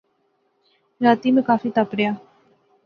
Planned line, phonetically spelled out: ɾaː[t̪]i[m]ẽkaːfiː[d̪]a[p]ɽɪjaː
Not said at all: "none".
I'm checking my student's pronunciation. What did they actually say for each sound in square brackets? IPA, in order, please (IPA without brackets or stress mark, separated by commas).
t̪, m, t̪, p